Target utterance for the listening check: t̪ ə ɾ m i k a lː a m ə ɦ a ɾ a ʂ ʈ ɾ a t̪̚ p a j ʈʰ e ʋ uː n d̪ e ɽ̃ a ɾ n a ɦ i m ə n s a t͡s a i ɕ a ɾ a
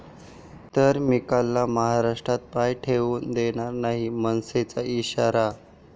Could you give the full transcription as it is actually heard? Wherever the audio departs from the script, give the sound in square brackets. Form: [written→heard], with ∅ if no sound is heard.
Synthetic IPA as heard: t̪ ə ɾ m i k a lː a m ə ɦ a ɾ a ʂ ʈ ɾ a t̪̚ p a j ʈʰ e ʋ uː n d̪ e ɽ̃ a ɾ n a ɦ i m ə n s [a→e] t͡s a i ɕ a ɾ a